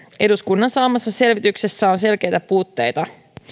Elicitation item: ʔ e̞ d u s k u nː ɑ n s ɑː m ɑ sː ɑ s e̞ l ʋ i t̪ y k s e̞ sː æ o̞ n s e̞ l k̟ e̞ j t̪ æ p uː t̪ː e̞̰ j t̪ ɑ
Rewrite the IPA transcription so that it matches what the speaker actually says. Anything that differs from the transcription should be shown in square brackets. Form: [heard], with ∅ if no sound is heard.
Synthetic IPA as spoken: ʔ e̞ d u s k u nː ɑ n s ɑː m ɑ sː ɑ s e̞ l ʋ i t̪ y k s e̞ sː æ o̞ n s e̞ l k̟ e̞ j t̪ æ p uː t̪ː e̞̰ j t̪ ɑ